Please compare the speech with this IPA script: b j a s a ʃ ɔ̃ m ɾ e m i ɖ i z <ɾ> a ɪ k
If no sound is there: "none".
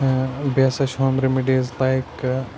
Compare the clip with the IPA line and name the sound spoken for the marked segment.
l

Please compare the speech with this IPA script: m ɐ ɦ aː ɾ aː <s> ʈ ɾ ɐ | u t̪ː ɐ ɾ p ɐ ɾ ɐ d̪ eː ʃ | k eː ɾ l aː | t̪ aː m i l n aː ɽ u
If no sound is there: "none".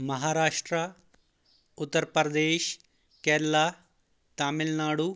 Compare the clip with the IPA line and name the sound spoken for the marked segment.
ʂ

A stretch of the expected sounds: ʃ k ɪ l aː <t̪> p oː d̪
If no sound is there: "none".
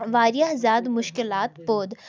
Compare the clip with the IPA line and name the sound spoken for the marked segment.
t̪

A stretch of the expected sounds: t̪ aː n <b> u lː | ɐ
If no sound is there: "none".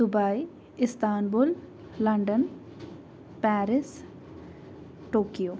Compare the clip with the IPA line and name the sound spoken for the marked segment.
b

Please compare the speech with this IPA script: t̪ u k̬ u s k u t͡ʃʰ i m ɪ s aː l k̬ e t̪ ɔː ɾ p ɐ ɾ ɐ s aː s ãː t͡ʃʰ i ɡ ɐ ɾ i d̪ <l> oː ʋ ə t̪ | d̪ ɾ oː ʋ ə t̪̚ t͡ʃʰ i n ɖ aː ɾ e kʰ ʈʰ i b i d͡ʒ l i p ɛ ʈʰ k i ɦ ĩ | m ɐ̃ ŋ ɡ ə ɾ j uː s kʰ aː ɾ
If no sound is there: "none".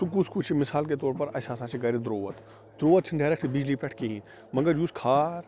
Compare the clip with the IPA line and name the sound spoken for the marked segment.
ɾ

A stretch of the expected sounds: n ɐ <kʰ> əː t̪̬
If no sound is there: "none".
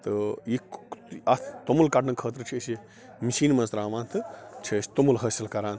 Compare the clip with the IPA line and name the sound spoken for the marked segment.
kʰ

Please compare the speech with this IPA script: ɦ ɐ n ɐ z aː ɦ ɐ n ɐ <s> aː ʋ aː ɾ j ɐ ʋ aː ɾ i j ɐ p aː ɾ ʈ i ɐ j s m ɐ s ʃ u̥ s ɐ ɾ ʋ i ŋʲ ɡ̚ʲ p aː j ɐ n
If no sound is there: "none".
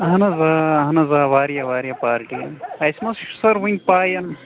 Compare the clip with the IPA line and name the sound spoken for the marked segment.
z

